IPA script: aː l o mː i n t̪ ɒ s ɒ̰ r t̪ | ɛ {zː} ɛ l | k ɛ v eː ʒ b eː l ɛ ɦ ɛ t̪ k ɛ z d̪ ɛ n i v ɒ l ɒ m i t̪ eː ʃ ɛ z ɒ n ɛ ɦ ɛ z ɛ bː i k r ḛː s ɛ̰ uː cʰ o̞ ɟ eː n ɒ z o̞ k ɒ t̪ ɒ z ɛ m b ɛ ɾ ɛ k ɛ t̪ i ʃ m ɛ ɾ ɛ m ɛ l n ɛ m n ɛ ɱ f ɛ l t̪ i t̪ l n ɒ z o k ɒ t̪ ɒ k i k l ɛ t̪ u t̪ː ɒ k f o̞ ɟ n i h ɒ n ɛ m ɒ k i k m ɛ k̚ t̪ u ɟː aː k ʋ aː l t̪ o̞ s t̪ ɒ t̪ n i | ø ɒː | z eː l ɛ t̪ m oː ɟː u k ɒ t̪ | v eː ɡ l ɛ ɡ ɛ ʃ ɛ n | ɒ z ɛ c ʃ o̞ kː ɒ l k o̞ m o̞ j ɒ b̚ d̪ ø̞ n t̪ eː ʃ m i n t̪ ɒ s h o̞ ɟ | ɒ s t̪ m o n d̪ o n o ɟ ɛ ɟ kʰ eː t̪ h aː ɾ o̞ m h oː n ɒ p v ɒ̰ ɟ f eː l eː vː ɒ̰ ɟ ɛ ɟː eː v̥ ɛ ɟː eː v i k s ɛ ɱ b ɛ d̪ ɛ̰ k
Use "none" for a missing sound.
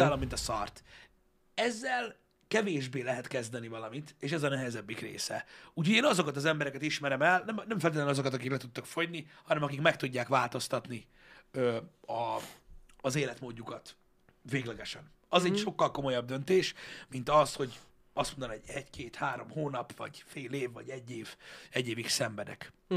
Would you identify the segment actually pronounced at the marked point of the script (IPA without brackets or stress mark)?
zː